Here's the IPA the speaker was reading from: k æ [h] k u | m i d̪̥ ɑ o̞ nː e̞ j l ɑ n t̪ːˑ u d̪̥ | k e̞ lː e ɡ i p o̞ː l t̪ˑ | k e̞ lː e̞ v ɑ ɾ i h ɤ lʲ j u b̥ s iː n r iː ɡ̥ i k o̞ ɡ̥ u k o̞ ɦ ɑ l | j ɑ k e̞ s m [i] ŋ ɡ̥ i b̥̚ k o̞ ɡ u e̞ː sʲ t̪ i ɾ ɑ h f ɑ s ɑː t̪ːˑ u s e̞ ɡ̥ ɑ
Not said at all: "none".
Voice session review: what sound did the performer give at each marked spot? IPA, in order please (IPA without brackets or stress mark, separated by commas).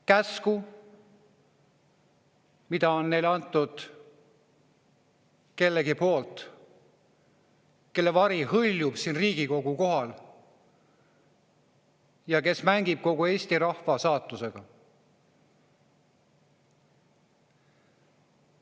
s, æ